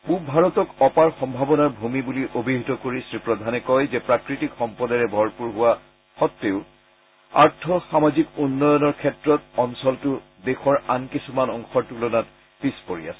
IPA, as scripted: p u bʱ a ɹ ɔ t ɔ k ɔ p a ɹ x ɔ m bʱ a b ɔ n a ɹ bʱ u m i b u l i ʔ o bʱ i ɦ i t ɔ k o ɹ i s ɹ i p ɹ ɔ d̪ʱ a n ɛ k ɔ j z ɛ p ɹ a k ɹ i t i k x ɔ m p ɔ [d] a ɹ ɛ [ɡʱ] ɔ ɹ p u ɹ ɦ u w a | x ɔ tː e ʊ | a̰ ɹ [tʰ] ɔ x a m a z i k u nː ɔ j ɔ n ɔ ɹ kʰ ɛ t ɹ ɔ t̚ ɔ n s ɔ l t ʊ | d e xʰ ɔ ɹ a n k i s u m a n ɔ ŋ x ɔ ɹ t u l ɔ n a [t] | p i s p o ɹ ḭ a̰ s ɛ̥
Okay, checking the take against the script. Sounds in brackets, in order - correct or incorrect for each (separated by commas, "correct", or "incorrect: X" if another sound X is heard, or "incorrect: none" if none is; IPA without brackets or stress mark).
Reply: correct, incorrect: bʱ, correct, correct